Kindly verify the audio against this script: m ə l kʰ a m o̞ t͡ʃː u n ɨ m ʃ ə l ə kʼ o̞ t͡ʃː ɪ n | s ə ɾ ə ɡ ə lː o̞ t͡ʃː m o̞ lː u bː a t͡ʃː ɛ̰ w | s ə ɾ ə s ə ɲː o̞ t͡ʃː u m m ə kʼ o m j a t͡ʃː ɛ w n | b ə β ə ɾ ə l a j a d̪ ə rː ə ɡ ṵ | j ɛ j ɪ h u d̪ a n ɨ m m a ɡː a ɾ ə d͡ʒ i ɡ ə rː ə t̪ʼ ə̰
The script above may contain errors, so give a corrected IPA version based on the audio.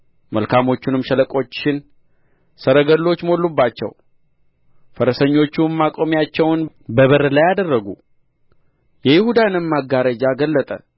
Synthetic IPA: m ə l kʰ a m o̞ t͡ʃː u n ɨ m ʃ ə l ə kʼ o̞ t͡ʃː ɪ n | s ə ɾ ə ɡ ə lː o̞ t͡ʃː m o̞ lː u bː a t͡ʃː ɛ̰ w | f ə ɾ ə s ə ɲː o̞ t͡ʃː u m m a kʼ o m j a t͡ʃː ɛ w n | b ə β ə ɾ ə l a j a d̪ ə rː ə ɡ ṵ | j ɛ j ɪ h u d̪ a n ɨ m m a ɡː a ɾ ə d͡ʒ a ɡ ə lː ə t̪ʼ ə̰

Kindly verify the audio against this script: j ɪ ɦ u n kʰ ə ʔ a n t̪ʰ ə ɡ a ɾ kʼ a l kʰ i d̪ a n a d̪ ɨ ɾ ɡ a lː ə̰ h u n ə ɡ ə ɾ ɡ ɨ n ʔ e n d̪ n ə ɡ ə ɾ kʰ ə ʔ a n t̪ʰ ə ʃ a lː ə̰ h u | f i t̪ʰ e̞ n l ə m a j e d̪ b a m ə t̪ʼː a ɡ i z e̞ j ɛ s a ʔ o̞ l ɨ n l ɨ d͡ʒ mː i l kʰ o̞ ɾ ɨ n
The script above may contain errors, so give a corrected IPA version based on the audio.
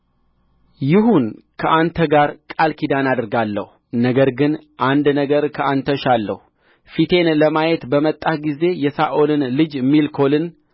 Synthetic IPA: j ɪ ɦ u n kʰ ə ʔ a n t̪ʰ ə ɡ a ɾ kʼ a l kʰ i d̪ a n a d̪ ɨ ɾ ɡ a lː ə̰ h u n ə ɡ ə ɾ ɡ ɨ n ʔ a n d̪ n ə ɡ ə ɾ kʰ ə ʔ a n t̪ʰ ə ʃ a lː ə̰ h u | f i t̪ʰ e̞ n l ə m a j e t̪ b ə m ə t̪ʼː a ɡ i z e̞ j ɛ s a ʔ o̞ l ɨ n l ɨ d͡ʒ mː i l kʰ o̞ l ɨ n

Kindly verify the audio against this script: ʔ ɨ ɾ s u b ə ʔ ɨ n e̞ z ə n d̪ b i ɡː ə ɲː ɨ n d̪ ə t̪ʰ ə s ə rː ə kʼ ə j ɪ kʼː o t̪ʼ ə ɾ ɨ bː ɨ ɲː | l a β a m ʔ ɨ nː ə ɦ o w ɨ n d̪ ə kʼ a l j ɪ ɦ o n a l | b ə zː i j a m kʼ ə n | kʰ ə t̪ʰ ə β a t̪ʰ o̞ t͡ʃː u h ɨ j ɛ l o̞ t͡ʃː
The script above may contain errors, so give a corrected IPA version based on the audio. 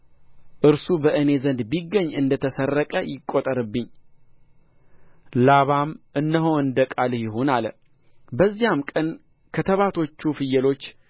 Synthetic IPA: ʔ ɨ ɾ s u b ə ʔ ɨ n e̞ z ə n d̪ b i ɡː ə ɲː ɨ n d̪ ə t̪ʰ ə s ə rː ə kʼ ə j ɪ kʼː o t̪ʼ ə ɾ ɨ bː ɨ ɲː | l a β a m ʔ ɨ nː ə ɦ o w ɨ n d̪ ə kʼ a l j ɪ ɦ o n a l | b ə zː i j a m kʼ ə n | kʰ ə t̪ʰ ə β a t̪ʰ o̞ t͡ʃː u f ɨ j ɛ l o̞ t͡ʃː

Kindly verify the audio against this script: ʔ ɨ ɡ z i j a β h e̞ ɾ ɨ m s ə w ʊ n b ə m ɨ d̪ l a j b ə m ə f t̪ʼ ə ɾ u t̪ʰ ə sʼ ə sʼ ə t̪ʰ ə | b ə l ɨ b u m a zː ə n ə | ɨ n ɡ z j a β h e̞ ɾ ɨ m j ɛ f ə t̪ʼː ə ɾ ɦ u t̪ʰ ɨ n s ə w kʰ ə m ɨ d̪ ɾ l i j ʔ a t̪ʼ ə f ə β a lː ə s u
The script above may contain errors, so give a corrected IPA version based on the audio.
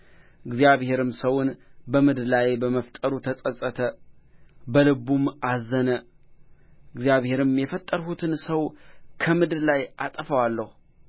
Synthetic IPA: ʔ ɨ ɡ z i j a β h e̞ ɾ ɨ m s ə w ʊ n b ə m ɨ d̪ l a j b ə m ə f t̪ʼ ə ɾ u t̪ʰ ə sʼ ə sʼ ə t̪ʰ ə | b ə l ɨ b u m a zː ə n ə | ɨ ɡ z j a β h e̞ ɾ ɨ m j ɛ f ə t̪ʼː ə ɾ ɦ u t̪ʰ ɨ n s ə w kʰ ə m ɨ d̪ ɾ l a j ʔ a t̪ʼ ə f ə w a lː ə h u

